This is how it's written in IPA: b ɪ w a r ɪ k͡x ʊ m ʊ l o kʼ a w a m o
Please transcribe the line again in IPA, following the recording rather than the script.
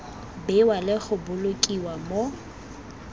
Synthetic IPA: b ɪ w a l ɪ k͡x ʊ b ʊ l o kʼ i w a m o